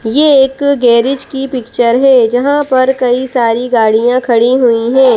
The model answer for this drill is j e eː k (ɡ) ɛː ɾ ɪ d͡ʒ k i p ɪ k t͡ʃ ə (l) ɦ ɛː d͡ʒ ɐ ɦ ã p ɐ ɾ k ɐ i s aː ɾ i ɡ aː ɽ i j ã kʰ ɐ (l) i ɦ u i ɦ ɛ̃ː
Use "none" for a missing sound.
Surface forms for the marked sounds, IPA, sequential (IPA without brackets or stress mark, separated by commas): ɡ, ɾ, ɽ